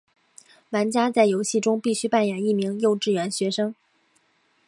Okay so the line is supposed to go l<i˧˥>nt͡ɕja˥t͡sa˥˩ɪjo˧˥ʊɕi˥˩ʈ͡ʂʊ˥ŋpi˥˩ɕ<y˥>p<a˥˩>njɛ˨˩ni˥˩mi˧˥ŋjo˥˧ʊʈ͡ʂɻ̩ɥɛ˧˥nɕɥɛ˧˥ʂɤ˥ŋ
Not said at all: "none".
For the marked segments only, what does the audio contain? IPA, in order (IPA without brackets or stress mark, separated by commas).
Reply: a˧˥, y˥, a˥˩